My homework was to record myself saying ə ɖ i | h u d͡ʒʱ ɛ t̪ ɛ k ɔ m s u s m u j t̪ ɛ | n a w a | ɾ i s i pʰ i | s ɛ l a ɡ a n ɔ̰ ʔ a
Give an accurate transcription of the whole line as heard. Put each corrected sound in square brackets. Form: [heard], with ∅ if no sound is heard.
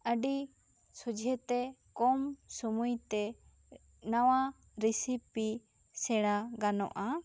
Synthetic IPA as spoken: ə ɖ i | [s] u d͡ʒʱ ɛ t̪ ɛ k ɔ m s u [∅] m u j t̪ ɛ | n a w a | ɾ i s i [p] i | s ɛ [ɽ] a ɡ a n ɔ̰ ʔ a

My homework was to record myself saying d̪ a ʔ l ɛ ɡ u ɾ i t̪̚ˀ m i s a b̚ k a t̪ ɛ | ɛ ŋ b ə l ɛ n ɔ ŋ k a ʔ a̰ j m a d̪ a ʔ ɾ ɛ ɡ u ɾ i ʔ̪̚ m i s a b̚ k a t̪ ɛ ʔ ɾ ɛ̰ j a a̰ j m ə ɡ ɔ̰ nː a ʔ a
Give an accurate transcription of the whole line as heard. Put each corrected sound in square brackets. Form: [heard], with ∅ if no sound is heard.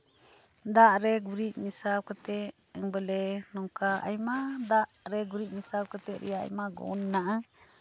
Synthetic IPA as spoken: d̪ a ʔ [ɾ] ɛ ɡ u ɾ i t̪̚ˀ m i s a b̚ k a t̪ ɛ | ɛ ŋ b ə l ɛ n ɔ ŋ k a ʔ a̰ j m a d̪ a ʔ ɾ ɛ ɡ u ɾ i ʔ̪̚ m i s a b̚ k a t̪ ɛ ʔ ɾ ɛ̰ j a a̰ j m [a] ɡ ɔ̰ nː a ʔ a

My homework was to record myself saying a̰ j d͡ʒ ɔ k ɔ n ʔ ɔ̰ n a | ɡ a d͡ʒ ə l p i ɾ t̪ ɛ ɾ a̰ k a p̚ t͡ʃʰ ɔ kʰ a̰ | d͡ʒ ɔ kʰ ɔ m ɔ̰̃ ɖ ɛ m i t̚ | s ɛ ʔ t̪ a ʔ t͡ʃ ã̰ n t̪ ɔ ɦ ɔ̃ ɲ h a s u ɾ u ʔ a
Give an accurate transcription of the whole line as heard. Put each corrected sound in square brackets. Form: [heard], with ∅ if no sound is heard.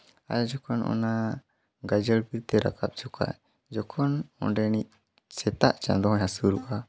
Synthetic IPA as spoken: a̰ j d͡ʒ ɔ k ɔ n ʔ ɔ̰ n a | ɡ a d͡ʒ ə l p i ɾ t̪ ɛ ɾ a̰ k a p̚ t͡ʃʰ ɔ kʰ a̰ | d͡ʒ ɔ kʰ ɔ [n] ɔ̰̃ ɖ ɛ [n] i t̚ | s ɛ [∅] t̪ a ʔ t͡ʃ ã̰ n [d̪] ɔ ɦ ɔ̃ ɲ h a s u ɾ u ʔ a

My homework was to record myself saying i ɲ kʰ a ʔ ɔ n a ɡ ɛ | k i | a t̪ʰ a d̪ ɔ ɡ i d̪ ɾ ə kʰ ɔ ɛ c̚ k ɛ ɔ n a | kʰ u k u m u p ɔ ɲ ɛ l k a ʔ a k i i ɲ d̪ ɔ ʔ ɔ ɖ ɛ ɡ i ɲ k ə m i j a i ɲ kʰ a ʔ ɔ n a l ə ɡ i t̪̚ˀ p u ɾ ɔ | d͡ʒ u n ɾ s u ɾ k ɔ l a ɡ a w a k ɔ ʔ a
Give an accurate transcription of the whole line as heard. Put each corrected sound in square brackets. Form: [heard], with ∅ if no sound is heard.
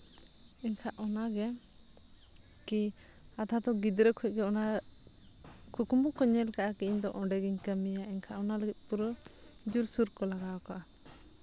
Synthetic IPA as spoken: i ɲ kʰ a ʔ ɔ n a ɡ ɛ | k i | a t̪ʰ a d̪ ɔ ɡ i d̪ ɾ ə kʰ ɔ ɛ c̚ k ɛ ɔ n a | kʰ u k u m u [k] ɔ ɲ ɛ l k a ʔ a k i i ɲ d̪ ɔ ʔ ɔ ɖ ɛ ɡ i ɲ k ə m i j a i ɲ kʰ a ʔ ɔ n a l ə ɡ i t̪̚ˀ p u ɾ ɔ | d͡ʒ u [∅] ɾ s u ɾ k ɔ l a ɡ a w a k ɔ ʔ a

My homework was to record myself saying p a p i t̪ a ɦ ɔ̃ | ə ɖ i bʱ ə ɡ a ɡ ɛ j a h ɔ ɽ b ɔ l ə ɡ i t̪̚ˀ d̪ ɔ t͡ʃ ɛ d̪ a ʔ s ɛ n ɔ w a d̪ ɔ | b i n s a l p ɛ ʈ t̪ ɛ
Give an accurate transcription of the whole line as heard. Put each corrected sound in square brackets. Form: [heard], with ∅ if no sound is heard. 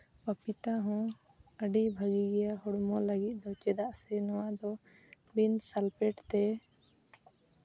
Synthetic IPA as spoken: p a p i t̪ a ɦ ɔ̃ | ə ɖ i bʱ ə ɡ [i] ɡ ɛ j a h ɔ ɽ [m] ɔ l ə ɡ i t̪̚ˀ d̪ ɔ t͡ʃ ɛ d̪ a ʔ s ɛ n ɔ w a d̪ ɔ | b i n s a l p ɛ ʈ t̪ ɛ

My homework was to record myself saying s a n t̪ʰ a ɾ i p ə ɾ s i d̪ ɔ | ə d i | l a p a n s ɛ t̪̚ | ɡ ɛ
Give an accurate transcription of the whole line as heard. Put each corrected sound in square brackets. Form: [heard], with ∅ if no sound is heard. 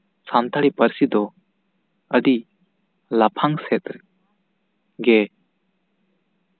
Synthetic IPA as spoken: s a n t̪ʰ a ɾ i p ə ɾ s i d̪ ɔ | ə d i | l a [pʰ] a [ŋ] s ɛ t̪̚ | ɡ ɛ

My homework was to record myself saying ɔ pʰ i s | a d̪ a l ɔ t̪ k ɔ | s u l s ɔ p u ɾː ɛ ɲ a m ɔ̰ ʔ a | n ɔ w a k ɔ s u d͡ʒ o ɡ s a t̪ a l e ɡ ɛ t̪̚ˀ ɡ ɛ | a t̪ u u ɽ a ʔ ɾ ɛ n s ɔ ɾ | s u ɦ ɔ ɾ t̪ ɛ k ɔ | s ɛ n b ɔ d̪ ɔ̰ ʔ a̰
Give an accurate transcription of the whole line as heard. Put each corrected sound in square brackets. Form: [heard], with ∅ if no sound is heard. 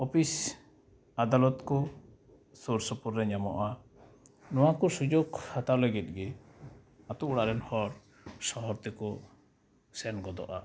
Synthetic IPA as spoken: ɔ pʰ i s | a d̪ a l ɔ t̪ k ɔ | s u [ɾ] s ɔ p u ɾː ɛ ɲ a m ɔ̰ ʔ a | n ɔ w a k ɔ s u d͡ʒ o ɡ [h] a t̪ a l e ɡ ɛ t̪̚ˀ ɡ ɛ | a t̪ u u ɽ a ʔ ɾ ɛ n [h] ɔ ɾ | s [ɔ] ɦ ɔ ɾ t̪ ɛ k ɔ | s ɛ n [ɡ] ɔ d̪ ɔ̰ ʔ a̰

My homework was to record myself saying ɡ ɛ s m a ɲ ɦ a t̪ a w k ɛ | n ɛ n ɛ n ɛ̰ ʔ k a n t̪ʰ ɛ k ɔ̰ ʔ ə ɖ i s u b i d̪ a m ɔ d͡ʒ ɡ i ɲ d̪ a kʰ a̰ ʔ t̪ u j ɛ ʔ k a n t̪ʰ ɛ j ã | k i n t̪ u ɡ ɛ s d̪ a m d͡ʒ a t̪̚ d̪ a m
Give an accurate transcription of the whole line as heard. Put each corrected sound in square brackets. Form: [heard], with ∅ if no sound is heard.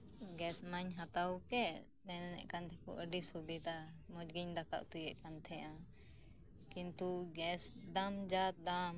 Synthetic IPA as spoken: ɡ ɛ s m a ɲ ɦ a t̪ a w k ɛ | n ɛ n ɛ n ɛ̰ ʔ k a n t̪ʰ ɛ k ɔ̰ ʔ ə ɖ i s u b i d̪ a m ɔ d͡ʒ ɡ i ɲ d̪ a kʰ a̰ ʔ t̪ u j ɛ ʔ k a n t̪ʰ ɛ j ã | k i n t̪ u ɡ ɛ s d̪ a m d͡ʒ a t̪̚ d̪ a m

